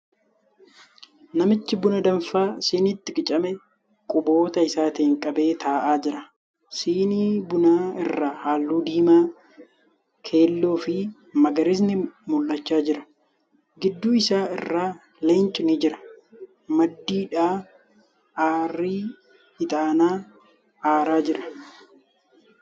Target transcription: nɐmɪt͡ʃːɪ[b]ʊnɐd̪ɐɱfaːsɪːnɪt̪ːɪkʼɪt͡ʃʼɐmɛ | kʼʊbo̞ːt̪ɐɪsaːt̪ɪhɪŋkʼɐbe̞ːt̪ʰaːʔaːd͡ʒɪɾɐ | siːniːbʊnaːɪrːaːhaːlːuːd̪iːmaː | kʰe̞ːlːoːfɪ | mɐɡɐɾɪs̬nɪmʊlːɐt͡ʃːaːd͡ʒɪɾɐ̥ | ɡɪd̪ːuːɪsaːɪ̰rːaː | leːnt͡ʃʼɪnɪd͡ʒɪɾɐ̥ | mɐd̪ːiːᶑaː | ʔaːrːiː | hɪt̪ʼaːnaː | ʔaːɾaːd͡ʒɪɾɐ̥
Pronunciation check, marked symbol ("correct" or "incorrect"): correct